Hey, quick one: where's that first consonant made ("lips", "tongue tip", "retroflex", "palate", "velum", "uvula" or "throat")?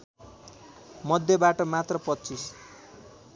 lips